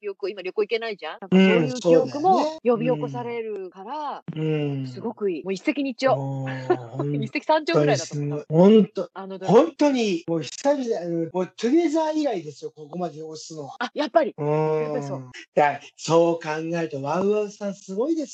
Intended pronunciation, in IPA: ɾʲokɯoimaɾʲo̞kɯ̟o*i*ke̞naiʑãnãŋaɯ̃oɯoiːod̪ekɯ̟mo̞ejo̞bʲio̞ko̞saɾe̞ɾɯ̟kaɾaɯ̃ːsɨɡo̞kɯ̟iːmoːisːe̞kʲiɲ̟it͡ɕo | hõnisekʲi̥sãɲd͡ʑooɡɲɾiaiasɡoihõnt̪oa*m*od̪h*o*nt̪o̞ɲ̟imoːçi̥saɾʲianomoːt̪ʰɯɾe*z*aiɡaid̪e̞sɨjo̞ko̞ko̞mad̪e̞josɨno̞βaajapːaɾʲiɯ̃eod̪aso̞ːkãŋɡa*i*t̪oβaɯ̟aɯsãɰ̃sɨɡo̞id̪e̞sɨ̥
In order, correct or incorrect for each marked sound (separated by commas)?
correct, incorrect, incorrect, correct, incorrect